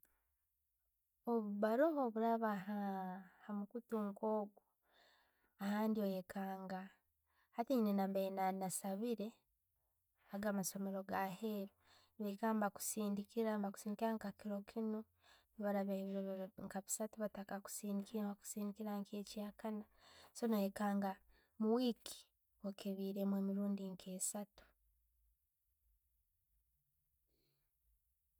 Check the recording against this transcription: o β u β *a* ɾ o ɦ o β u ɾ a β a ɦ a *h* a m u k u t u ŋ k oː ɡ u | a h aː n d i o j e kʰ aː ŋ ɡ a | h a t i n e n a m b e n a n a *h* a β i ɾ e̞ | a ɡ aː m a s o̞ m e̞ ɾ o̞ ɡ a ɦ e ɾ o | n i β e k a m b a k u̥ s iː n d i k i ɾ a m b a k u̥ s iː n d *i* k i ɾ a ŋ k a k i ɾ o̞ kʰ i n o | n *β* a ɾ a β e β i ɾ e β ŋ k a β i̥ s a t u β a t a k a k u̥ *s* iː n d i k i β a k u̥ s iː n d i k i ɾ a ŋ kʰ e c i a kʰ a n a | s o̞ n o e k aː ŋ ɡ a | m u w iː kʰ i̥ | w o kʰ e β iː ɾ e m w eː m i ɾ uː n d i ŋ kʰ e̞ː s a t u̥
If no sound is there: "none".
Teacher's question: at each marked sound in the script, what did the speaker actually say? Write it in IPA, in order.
a, h, s, i, β, s

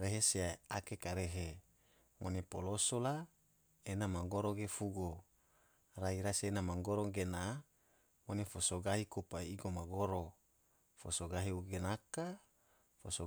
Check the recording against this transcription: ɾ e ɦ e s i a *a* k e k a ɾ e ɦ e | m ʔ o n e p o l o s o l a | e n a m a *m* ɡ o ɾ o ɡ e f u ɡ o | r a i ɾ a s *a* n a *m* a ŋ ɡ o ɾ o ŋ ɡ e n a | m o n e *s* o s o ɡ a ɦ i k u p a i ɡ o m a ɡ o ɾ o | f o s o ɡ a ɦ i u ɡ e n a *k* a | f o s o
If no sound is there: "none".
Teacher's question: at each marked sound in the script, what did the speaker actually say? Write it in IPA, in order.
a, ŋ, e, m, f, k

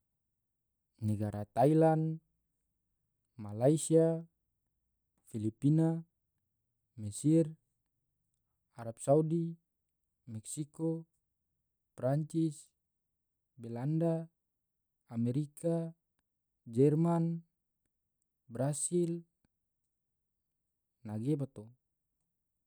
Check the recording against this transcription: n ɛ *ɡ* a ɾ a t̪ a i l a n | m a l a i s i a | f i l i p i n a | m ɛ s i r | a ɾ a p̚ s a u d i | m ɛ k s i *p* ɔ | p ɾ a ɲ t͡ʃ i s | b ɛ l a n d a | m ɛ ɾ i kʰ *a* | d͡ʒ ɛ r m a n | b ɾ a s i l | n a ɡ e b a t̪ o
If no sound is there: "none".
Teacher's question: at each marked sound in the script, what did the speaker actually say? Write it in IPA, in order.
ɡ, k, a

